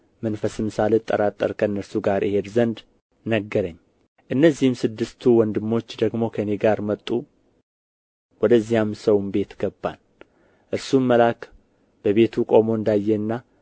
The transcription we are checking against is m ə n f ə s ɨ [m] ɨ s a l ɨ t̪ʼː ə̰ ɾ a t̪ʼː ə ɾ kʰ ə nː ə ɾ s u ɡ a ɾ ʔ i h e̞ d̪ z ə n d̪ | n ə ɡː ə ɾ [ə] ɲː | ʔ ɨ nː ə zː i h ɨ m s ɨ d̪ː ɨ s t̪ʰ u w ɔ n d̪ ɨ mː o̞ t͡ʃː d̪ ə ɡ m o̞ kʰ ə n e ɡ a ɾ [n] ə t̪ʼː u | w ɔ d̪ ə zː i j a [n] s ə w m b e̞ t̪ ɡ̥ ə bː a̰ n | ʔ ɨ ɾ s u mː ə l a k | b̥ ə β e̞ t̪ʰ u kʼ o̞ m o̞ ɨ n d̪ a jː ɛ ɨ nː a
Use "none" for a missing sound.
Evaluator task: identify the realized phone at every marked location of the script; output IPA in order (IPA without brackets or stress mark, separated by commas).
m, ə, m, m